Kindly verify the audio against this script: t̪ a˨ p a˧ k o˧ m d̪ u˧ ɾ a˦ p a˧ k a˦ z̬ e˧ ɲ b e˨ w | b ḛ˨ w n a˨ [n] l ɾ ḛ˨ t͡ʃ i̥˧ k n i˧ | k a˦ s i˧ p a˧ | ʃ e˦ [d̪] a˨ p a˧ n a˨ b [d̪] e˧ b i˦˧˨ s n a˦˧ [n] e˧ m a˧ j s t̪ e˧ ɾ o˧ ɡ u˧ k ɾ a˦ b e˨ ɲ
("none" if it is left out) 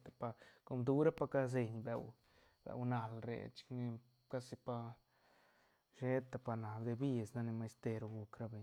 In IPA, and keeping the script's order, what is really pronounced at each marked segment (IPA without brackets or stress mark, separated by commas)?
none, t̪, d̪, n